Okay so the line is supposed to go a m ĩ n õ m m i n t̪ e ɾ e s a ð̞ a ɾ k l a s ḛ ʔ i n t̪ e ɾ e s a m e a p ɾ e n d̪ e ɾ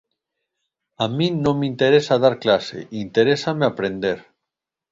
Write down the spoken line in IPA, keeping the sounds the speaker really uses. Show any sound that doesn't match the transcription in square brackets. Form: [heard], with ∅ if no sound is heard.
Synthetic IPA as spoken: a m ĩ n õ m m i n t̪ e ɾ e s a ð̞ a ɾ k l a s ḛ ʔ i n t̪ e ɾ e s a m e a p ɾ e n d̪ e ɾ